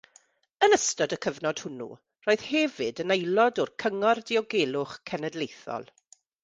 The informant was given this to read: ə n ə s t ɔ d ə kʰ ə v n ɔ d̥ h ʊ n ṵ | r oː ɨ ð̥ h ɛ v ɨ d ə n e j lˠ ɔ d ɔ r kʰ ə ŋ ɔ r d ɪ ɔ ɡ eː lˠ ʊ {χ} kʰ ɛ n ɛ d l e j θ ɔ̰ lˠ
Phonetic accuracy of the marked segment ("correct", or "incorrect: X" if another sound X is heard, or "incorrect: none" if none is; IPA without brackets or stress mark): correct